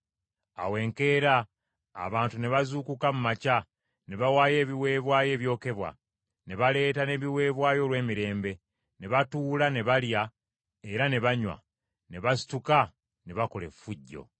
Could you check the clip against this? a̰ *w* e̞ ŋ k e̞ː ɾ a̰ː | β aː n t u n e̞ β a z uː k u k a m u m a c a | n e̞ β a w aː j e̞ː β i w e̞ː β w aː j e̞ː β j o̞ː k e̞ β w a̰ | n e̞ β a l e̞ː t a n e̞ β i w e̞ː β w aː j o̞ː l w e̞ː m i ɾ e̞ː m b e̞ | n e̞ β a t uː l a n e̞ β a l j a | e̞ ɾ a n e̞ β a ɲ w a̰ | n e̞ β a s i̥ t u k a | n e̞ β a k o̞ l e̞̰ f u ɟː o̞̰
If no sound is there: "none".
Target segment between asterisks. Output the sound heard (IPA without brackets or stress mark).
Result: w